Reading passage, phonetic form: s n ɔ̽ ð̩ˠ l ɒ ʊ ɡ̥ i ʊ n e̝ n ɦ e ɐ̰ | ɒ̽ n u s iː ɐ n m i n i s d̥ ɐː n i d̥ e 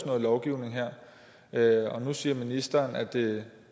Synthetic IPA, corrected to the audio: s n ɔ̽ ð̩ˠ l ɒ ʊ ɡ̥ i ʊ n e̝ ŋ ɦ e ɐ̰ | ɒ̽ n u s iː ɐ m i n i s d̥ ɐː n æ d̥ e